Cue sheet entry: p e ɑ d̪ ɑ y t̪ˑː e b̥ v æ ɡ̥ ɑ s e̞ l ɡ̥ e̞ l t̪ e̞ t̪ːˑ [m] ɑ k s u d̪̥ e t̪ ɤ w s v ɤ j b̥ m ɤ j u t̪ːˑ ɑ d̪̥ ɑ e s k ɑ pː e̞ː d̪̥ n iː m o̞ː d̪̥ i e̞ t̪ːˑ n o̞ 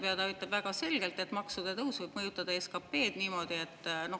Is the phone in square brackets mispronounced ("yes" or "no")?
no